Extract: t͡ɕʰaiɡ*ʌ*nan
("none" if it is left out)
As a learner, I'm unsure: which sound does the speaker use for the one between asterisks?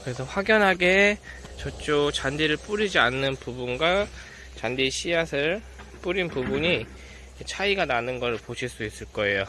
a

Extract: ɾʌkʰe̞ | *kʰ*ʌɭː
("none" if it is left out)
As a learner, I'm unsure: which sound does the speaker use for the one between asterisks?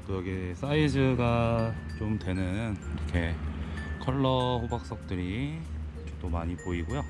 kʰ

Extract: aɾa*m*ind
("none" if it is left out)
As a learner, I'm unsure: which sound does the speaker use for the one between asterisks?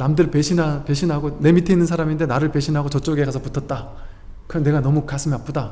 m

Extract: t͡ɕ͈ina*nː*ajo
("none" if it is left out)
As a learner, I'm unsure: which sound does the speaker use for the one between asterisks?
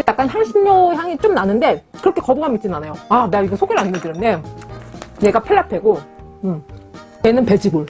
n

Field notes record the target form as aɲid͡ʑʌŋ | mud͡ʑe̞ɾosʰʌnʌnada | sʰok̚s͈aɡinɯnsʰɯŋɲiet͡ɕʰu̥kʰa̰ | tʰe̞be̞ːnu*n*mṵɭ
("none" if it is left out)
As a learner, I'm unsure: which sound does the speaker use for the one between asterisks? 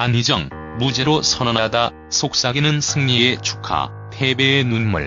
n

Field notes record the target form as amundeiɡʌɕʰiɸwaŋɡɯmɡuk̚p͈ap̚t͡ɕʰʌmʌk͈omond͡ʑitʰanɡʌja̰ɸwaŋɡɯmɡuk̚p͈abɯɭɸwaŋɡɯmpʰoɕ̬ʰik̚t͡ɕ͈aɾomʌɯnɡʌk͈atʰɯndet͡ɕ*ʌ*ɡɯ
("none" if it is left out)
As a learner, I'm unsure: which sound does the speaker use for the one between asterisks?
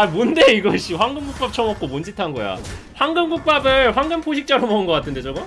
ʌ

